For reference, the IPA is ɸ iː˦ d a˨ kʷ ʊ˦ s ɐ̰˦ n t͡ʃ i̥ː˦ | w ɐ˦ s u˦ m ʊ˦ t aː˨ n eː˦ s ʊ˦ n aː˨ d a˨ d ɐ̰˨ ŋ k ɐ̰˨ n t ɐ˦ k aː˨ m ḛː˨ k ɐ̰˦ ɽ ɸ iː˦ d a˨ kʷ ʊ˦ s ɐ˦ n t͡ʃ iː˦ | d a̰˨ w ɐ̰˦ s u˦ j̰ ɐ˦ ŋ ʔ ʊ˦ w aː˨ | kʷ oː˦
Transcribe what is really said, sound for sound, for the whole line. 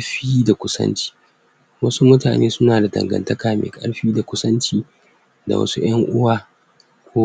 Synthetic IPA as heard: ɸ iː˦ d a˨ kʷ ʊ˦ s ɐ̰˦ n t͡ʃ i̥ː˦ | w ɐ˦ s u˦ m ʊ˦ t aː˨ n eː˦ s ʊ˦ n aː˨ d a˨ d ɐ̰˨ ŋ ɡ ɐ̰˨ n t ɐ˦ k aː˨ m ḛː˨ kʼ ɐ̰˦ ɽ ɸ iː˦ d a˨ kʷ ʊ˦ s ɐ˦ n t͡ʃ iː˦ | d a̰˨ w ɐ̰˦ s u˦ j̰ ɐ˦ ŋ ʔ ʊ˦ w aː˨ | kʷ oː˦